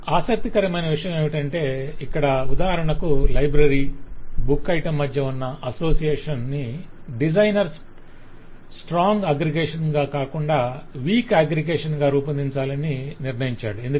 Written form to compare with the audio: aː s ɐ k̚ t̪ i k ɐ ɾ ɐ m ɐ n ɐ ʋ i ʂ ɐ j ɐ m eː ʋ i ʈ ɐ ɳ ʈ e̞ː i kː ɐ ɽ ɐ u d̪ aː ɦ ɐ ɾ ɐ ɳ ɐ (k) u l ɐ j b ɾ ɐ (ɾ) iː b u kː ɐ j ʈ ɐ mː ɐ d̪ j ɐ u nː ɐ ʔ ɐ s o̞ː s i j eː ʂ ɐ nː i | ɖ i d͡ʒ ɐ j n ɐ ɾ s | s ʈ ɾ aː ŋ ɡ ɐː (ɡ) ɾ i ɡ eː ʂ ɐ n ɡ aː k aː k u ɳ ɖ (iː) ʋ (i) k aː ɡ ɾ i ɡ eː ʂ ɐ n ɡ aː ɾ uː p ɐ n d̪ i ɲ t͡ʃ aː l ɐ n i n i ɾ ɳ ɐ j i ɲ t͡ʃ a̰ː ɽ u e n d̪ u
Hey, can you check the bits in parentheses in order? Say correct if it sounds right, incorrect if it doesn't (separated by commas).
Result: correct, correct, correct, incorrect, incorrect